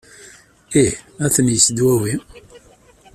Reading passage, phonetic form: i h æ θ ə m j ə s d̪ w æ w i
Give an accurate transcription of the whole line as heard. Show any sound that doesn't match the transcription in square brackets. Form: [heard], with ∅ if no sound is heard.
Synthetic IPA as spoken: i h æ θ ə [n] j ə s d̪ w æ w i